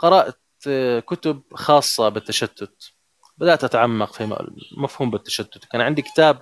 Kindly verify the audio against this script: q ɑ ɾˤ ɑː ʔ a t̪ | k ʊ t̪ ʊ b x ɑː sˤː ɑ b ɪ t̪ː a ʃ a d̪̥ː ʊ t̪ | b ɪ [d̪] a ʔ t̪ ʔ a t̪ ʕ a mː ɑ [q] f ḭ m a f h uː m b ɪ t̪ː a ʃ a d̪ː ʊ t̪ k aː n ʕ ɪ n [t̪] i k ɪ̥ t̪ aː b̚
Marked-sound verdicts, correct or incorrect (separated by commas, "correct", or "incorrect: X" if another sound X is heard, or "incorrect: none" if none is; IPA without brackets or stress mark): correct, correct, incorrect: d̪